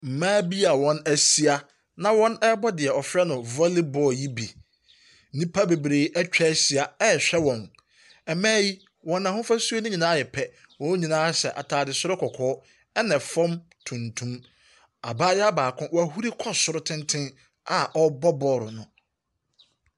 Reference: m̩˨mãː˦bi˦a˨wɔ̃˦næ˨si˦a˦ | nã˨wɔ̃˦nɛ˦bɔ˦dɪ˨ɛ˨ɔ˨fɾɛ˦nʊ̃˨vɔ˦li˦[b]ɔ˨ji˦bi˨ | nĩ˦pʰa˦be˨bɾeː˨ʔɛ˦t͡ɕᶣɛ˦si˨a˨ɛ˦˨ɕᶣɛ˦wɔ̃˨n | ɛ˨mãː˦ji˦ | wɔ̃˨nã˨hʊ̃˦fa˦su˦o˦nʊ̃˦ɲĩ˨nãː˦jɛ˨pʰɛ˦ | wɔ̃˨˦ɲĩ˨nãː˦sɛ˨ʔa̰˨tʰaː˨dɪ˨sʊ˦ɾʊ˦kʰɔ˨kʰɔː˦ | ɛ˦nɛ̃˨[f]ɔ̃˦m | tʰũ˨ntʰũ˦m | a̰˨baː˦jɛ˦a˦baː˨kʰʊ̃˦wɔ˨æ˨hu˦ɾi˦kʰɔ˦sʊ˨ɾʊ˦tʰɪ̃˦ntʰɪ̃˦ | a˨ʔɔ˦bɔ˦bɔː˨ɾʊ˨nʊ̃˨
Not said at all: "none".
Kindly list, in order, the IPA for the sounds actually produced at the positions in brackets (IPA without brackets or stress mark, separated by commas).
b, f